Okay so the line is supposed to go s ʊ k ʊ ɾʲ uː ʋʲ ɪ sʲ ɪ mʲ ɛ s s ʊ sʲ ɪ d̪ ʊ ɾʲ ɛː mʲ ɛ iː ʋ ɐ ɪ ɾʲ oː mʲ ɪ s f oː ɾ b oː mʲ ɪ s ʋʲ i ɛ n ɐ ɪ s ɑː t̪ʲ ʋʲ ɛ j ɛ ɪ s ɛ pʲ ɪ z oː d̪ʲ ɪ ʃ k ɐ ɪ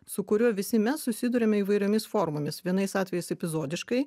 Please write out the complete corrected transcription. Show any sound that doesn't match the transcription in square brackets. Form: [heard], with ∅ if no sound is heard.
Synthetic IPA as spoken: s ʊ k ʊ ɾʲ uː ʋʲ ɪ sʲ ɪ mʲ ɛ s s ʊ sʲ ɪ d̪ ʊ ɾʲ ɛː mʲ ɛ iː ʋ ɐ ɪ ɾʲ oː mʲ ɪ s f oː ɾ [m] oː mʲ ɪ s ʋʲ i ɛ n ɐ ɪ s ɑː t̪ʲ ʋʲ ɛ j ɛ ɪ s ɛ pʲ ɪ z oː d̪ʲ ɪ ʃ k ɐ ɪ